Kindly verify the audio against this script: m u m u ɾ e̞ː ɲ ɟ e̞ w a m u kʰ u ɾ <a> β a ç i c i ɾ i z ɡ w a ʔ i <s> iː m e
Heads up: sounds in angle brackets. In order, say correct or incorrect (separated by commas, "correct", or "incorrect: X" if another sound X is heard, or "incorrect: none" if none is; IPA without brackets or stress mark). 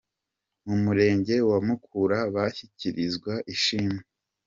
correct, incorrect: ʃ